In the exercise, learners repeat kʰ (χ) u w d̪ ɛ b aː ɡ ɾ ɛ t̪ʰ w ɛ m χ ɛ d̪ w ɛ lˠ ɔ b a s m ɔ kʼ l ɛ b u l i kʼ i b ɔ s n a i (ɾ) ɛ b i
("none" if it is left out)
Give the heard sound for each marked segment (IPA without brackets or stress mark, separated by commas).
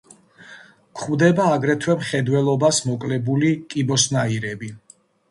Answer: χ, ɾ